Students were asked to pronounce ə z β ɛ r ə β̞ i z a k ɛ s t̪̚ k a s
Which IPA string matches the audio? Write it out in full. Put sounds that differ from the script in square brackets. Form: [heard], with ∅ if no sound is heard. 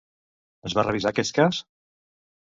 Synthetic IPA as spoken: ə z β [a] r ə β̞ i z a k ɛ s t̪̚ k a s